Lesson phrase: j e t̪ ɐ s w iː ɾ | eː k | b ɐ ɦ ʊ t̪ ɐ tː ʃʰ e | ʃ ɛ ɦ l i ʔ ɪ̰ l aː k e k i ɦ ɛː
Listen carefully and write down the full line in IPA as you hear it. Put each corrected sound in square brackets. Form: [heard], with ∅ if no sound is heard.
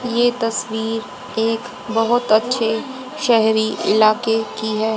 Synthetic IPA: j e t̪ ɐ s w iː ɾ | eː k | b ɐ ɦ ʊ t̪ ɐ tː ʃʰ e | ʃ ɛ ɦ [ɾ] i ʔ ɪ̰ l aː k e k i ɦ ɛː